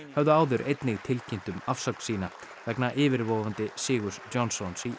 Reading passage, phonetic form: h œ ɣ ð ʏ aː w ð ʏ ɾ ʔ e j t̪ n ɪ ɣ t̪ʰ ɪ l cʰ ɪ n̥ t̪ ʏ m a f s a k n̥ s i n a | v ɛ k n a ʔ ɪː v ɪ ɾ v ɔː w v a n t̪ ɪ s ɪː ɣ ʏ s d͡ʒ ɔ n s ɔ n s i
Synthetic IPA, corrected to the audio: h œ v ð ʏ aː w ð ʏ ɾ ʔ e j t̪ n ɪ ɣ t̪ʰ ɪ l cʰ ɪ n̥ t̪ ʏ m a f s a k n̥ s iː n a | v ɛ k n a ʔ ɪː v ɪ ɾ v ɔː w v a n t̪ ɪ s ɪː ɣ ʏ s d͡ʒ ɔ n s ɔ n s i